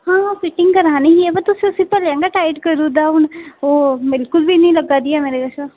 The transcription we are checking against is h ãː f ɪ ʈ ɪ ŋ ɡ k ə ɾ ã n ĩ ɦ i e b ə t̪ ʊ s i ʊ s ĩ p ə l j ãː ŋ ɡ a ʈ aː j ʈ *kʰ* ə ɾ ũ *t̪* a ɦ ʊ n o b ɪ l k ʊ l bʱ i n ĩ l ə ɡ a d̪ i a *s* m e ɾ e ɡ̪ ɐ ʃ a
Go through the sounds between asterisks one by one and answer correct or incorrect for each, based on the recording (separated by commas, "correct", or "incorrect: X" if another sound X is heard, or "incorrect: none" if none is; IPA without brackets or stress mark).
incorrect: k, incorrect: d̪, incorrect: none